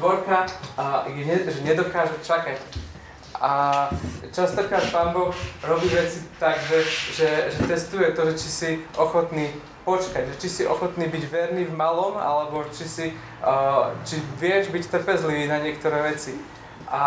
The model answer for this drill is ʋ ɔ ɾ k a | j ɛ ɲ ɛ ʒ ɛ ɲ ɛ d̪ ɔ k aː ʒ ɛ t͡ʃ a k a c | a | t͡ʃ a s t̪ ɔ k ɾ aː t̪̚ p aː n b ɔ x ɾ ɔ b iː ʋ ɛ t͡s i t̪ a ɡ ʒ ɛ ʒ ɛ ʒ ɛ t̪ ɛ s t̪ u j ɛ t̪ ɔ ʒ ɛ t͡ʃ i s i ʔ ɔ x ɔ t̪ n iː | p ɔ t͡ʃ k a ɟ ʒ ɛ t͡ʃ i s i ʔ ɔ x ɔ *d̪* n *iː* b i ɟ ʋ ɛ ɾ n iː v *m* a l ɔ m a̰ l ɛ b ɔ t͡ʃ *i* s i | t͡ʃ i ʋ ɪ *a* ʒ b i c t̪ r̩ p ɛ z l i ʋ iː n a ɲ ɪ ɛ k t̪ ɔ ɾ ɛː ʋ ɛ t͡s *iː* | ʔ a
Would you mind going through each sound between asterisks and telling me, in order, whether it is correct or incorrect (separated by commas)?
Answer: incorrect, correct, correct, correct, incorrect, incorrect